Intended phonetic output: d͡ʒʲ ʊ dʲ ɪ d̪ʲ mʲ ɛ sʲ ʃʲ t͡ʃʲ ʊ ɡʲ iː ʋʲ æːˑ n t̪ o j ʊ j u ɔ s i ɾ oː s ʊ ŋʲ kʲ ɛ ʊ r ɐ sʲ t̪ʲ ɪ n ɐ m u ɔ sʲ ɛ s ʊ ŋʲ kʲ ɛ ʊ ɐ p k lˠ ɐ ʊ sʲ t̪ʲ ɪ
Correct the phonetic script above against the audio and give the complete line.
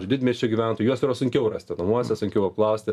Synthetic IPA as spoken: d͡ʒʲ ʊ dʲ ɪ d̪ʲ mʲ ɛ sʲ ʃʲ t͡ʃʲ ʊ ɡʲ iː ʋʲ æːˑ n t̪ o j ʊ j u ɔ s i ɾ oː s ʊ ŋʲ kʲ ɛ ʊ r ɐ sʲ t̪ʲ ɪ n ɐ m u ɔ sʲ ɛ s ʊ ŋʲ kʲ ɛ ʊ ɐ p k lˠ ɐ ʊ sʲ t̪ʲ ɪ